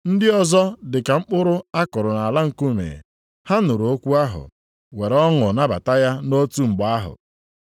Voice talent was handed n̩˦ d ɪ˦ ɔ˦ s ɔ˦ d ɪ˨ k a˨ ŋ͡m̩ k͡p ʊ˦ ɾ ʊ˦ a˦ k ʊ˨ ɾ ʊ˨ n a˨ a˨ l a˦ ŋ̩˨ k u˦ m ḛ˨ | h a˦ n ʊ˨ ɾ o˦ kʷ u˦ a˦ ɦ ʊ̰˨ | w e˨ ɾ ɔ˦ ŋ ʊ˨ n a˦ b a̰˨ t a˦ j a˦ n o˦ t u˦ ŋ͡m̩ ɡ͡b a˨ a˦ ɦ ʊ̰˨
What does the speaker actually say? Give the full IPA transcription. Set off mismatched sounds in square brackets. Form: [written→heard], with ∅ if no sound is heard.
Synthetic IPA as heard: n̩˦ d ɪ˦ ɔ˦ [s→z] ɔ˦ d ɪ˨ k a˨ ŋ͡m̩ k͡p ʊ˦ ɾ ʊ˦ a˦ k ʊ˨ ɾ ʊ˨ n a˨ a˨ l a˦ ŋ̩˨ k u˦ m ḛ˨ | h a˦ n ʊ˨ ɾ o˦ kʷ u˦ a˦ ɦ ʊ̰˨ | w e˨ ɾ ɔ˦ ŋ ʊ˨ n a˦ b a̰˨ t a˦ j a˦ n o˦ t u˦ ŋ͡m̩ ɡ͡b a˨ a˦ ɦ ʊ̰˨